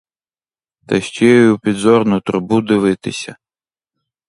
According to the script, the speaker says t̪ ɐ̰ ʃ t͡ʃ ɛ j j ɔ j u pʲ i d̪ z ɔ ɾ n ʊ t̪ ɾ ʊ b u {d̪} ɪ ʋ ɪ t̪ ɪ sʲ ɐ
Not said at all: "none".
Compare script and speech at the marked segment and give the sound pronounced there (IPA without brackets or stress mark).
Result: d̪